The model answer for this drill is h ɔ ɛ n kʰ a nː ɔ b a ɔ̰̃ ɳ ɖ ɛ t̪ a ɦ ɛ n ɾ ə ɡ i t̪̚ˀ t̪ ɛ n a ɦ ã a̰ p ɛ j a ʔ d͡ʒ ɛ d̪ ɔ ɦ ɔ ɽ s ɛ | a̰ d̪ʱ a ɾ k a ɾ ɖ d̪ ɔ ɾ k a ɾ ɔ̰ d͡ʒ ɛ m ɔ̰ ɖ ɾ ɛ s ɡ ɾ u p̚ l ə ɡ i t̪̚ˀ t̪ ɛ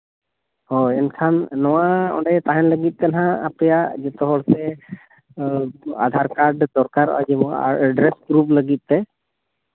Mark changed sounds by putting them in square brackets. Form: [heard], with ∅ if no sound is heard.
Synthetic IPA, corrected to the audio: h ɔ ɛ n kʰ a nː ɔ [w] a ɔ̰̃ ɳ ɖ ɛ t̪ a ɦ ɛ n [l] ə ɡ i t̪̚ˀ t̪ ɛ n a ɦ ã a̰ p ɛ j a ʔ d͡ʒ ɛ [t̪] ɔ ɦ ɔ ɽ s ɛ | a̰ d̪ʱ a ɾ k a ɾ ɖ d̪ ɔ ɾ k a ɾ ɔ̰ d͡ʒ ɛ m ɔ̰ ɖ ɾ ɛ s ɡ ɾ u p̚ l ə ɡ i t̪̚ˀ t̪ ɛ